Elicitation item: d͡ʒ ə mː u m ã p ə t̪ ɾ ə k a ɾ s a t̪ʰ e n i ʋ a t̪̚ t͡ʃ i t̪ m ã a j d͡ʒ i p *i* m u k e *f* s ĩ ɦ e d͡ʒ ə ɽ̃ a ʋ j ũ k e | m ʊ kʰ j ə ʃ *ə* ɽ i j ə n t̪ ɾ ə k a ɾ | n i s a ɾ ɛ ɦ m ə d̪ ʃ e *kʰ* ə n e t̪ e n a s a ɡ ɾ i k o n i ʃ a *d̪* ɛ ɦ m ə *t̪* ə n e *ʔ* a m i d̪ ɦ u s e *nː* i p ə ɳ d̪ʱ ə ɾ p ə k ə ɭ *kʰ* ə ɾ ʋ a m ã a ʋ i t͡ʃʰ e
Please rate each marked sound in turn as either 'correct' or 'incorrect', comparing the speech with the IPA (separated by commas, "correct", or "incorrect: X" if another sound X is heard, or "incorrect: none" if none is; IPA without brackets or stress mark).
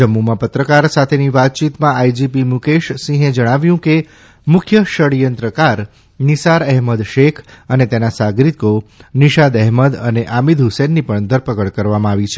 correct, incorrect: ʃ, correct, correct, correct, incorrect: d̪, correct, correct, incorrect: k